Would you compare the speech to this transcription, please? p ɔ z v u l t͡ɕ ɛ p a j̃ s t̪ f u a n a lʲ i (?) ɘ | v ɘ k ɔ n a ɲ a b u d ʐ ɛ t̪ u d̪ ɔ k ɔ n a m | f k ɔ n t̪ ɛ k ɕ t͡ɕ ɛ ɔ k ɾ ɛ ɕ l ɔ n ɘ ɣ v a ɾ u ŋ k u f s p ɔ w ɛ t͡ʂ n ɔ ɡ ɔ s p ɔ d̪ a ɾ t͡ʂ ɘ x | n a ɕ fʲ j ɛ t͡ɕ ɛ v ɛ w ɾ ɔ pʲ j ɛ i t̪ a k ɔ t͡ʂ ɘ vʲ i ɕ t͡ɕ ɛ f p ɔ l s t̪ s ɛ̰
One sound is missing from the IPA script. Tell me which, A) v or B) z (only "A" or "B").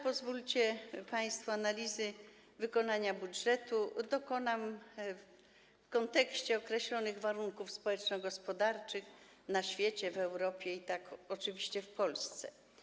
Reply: B